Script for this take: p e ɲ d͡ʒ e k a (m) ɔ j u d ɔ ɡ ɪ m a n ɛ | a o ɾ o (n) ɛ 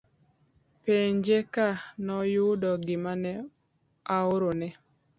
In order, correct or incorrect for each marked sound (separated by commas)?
incorrect, correct